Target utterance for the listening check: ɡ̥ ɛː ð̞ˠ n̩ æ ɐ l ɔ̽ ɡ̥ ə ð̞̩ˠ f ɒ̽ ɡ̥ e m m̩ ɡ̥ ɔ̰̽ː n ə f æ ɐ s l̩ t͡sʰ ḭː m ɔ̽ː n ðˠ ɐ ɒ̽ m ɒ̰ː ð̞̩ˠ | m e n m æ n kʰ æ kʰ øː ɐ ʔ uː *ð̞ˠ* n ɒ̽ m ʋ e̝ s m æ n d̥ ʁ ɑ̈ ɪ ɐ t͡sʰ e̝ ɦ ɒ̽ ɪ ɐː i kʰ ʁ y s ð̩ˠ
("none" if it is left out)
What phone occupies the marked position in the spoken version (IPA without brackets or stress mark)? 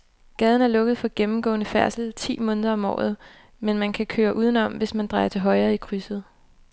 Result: ð̞ˠ